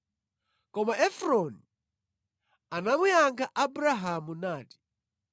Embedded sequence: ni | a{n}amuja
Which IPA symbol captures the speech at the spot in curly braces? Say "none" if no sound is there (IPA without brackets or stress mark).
n